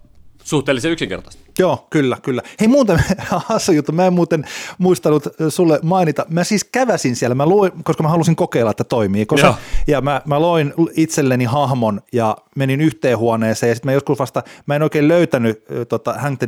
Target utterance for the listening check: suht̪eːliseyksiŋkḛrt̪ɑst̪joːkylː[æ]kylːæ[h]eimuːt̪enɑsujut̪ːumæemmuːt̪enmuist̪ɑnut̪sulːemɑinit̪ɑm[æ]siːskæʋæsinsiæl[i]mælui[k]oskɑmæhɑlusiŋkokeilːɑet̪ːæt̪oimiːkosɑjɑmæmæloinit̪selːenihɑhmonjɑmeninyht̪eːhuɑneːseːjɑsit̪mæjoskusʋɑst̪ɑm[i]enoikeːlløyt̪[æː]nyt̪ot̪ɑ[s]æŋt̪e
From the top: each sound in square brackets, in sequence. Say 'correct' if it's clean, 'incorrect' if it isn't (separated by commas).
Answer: correct, correct, correct, incorrect, correct, incorrect, incorrect, incorrect